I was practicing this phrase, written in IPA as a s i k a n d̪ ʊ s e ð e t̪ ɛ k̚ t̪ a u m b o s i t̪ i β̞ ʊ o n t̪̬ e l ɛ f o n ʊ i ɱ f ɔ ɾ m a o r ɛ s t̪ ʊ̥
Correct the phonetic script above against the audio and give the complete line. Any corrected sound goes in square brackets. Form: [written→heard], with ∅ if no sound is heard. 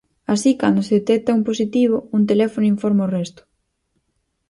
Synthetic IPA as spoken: a s i k a n d̪ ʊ s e ð e t̪ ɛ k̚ t̪ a u m [b→p] o s i t̪ i β̞ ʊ [o→u] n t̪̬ e l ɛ f o n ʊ i ɱ f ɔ ɾ m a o r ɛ s t̪ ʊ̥